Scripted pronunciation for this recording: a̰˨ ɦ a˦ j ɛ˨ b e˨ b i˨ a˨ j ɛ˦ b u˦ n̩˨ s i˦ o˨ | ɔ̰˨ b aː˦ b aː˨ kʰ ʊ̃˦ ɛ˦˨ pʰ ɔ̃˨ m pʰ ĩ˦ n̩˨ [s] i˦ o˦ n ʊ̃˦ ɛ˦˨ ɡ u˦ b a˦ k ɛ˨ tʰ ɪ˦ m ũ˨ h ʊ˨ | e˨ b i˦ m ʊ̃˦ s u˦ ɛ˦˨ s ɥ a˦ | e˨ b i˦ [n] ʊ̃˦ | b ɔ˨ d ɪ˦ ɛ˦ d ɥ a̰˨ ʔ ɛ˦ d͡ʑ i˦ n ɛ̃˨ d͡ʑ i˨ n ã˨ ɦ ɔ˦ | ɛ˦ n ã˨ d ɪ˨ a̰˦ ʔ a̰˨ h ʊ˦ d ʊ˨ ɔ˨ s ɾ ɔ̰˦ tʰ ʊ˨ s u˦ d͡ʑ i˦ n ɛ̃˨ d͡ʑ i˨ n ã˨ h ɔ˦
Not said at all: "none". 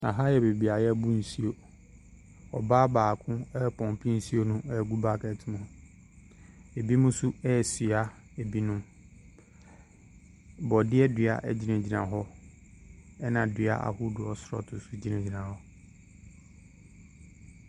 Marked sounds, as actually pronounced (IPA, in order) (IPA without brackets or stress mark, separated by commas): s, n